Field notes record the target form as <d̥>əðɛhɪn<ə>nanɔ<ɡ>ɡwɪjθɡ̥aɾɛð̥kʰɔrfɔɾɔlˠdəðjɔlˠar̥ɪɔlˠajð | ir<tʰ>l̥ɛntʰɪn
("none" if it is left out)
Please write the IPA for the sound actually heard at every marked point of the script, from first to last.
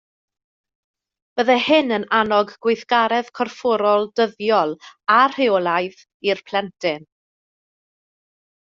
b̥, ə, ɡ, pʰ

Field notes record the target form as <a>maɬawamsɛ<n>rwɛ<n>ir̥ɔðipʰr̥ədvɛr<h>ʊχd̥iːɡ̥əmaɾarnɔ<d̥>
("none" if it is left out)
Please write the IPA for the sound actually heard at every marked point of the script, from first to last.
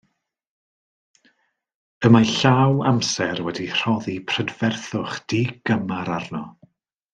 ə, none, d, θ, none

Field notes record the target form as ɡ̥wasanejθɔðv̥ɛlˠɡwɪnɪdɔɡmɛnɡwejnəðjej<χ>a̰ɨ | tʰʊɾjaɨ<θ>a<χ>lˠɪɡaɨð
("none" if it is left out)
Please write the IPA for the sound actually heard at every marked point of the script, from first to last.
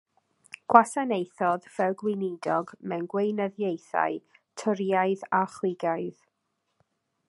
θ, ð, χ

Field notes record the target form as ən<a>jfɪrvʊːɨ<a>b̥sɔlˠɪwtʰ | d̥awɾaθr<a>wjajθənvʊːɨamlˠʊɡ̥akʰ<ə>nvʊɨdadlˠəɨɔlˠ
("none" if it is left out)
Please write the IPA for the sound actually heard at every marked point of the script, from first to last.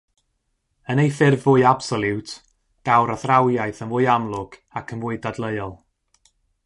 e, a, a, ə

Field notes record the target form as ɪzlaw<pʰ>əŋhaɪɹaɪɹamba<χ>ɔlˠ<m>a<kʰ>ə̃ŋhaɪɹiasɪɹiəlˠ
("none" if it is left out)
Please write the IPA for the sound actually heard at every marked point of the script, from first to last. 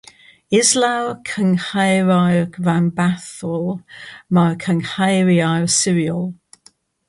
kʰ, θ, m, kʰ

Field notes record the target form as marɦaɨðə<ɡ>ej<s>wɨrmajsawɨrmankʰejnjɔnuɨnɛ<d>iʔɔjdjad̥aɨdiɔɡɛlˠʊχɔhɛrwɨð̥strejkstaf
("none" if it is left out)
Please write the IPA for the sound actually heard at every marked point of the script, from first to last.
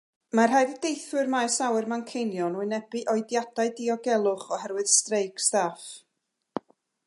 d, θ, b

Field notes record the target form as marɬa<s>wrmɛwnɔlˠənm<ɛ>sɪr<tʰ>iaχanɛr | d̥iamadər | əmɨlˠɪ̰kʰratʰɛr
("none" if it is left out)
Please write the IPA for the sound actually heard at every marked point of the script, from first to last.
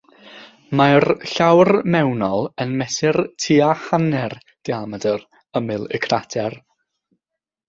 none, ɛ, tʰ

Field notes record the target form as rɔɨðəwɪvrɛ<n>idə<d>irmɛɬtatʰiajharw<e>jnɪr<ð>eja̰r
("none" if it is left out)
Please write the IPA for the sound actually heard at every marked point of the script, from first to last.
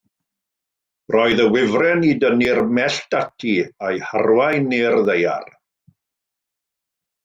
n, n, a, ð

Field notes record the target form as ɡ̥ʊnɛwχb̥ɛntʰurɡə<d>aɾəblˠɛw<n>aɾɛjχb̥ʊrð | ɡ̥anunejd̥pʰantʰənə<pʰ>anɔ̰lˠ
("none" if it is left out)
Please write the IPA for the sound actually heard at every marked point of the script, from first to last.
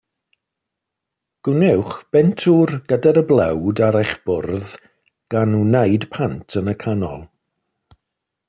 d, d, kʰ

